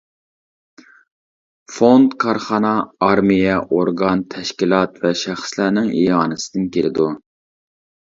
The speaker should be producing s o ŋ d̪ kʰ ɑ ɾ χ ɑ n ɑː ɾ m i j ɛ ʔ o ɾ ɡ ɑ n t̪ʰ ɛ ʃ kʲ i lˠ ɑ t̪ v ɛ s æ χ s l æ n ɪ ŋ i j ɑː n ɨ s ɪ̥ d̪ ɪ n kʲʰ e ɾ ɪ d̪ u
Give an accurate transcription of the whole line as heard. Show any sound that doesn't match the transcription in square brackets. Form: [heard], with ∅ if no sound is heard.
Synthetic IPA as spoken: [f] o [n] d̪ kʰ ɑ ɾ χ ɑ n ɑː ɾ m i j ɛ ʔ o ɾ ɡ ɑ n t̪ʰ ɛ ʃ kʲ i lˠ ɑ t̪ v ɛ [ʃ] æ χ s l æ n ɪ ŋ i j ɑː n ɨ s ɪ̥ d̪ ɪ n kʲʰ e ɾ ɪ d̪ u

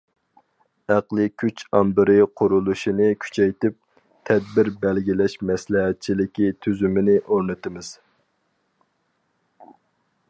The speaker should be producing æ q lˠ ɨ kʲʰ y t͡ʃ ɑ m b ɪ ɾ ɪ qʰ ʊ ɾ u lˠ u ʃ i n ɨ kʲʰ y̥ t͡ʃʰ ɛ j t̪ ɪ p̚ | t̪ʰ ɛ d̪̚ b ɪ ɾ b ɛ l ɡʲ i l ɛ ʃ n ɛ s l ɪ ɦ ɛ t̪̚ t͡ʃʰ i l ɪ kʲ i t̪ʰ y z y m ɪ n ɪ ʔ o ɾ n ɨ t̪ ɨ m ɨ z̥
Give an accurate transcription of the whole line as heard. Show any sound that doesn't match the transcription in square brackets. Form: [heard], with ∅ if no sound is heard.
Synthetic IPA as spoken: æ q lˠ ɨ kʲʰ y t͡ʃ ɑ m b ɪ ɾ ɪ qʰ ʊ ɾ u lˠ u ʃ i n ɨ kʲʰ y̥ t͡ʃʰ ɛ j t̪ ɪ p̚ | t̪ʰ ɛ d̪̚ b ɪ ɾ b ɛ l ɡʲ i l ɛ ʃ [m] ɛ s l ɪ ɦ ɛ t̪̚ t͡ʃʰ i l ɪ kʲ i t̪ʰ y z y m ɪ n ɪ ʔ o ɾ n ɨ t̪ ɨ m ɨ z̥

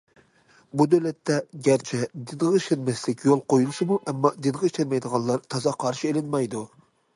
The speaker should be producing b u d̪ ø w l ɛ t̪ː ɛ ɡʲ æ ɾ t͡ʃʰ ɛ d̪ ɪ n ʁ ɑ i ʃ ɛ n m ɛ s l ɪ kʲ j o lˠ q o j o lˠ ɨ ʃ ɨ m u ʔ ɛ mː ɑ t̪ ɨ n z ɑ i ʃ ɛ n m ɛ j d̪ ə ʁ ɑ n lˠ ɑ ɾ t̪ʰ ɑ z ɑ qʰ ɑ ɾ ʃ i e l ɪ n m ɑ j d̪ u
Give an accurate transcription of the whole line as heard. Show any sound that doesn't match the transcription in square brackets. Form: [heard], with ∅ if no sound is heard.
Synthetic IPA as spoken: b u d̪ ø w l ɛ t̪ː ɛ ɡʲ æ ɾ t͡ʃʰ ɛ d̪ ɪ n ʁ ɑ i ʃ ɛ n m ɛ s l ɪ kʲ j o lˠ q o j [u] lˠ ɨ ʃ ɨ m u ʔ ɛ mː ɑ [d̪] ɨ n [ʁ] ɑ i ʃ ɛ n m ɛ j d̪ ə ʁ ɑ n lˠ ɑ ɾ t̪ʰ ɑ z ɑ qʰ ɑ ɾ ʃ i e l ɪ n m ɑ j d̪ u

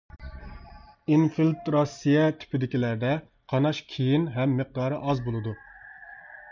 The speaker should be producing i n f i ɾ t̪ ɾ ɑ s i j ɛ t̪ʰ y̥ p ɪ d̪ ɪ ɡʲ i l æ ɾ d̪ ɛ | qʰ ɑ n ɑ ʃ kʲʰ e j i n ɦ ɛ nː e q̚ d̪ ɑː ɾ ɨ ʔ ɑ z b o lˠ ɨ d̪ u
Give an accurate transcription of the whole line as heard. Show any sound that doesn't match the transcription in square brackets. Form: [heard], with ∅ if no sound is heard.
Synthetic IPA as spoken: i n f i [l] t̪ ɾ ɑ s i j ɛ t̪ʰ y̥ p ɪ d̪ ɪ [kʲ] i l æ ɾ d̪ ɛ | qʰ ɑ n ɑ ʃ kʲʰ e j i n ɦ ɛ [mː] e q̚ d̪ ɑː ɾ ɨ ʔ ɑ z b o lˠ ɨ d̪ u

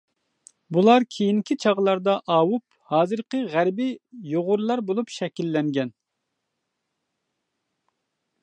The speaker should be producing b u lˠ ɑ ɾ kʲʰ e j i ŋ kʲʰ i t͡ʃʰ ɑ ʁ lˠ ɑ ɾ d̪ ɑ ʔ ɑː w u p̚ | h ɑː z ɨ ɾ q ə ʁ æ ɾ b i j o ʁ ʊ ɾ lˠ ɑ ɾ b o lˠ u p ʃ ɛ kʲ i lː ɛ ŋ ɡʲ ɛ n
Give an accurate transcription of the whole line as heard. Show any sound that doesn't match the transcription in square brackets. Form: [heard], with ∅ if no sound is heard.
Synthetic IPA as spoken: b u lˠ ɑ ɾ kʲʰ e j i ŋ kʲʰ i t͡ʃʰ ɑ ʁ lˠ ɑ ɾ d̪ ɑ ʔ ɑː w u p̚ | h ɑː z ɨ ɾ q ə ʁ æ ɾ b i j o ʁ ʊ ɾ lˠ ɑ ɾ b o lˠ u p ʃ ɛ kʲ i lː ɛ ŋ ɡʲ ɛ n

